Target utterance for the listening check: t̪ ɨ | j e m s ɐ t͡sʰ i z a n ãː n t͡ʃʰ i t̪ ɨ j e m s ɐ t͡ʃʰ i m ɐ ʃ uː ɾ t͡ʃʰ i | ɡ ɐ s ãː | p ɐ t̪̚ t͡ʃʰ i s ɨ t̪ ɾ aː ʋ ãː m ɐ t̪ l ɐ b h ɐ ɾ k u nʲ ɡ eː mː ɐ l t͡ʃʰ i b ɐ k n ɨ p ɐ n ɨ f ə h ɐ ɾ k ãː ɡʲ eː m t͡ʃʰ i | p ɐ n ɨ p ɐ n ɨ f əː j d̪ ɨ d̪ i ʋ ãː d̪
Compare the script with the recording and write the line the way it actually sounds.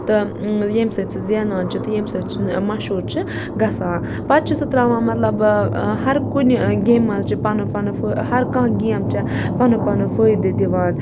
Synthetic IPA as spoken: t̪ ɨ | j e m s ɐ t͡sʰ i z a n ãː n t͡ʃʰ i t̪ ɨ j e m s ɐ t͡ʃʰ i m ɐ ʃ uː ɾ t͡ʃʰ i | ɡ ɐ s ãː | p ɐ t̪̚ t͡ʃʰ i s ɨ t̪ ɾ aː ʋ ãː m ɐ t̪ l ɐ b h ɐ ɾ k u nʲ ɡ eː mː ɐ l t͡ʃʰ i p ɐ n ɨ p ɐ n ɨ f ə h ɐ ɾ k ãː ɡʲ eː m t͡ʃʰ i | p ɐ n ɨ p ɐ n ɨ f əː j d̪ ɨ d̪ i ʋ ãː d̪